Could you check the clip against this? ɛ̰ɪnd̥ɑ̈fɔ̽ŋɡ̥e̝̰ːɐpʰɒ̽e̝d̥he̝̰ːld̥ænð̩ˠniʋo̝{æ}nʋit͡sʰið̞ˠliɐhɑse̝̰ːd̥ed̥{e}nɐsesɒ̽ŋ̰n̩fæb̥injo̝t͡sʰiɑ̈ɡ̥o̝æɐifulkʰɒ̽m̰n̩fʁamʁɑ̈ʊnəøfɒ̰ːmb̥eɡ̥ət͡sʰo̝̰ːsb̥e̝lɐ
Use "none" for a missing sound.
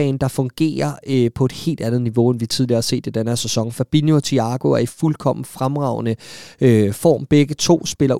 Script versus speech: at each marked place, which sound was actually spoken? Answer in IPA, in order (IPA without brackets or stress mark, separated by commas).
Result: e, æ